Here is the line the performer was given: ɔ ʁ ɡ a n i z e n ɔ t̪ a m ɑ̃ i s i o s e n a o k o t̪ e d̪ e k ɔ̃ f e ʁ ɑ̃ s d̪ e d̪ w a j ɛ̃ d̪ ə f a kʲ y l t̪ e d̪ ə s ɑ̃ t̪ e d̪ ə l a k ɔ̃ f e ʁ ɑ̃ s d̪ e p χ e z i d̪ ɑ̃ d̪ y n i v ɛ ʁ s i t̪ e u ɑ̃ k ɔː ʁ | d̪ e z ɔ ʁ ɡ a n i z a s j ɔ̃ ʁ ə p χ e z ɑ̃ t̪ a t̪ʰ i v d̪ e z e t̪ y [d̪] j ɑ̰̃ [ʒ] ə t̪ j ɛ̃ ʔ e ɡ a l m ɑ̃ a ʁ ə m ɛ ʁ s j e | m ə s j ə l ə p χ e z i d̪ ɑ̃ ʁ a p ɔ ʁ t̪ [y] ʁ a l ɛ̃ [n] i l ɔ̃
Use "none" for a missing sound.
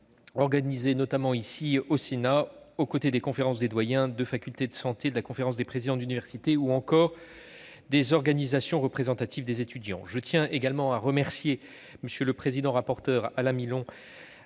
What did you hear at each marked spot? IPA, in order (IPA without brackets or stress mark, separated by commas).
d̪, ʒ, œ, m